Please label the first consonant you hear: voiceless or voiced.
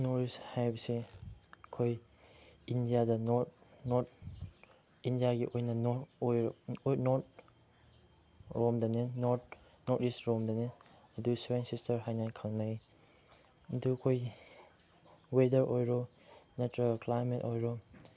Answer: voiced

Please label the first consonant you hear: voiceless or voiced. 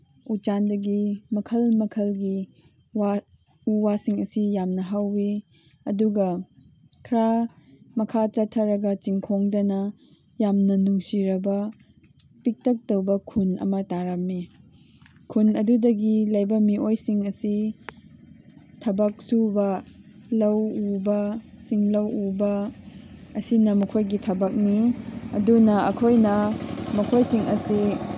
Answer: voiceless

